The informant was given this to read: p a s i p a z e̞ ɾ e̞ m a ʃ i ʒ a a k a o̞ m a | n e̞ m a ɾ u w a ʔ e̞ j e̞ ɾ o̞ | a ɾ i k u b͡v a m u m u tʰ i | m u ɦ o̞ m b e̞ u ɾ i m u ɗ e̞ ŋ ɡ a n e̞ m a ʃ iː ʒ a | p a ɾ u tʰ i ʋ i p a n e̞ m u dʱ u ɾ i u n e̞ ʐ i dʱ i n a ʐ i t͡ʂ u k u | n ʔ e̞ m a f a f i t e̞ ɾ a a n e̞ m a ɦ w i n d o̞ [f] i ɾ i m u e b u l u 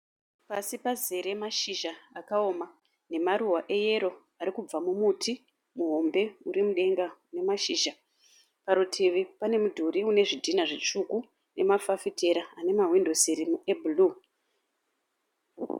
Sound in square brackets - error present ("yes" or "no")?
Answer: yes